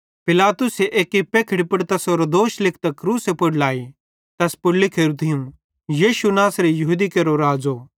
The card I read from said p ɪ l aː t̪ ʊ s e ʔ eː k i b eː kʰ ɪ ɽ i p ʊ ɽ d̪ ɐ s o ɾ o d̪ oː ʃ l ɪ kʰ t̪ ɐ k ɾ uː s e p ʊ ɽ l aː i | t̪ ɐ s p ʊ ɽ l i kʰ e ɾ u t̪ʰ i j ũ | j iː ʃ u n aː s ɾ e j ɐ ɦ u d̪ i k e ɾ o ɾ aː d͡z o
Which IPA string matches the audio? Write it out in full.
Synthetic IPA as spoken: p ɪ l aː t̪ ʊ s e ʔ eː k i p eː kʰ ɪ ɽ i p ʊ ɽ t̪ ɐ s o ɾ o d̪ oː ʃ l ɪ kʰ t̪ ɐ k ɾ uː s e p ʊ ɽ l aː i | t̪ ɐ s p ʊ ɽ l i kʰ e ɾ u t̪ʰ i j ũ | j iː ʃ u n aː s ɾ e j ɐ ɦ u d̪ i k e ɾ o ɾ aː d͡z o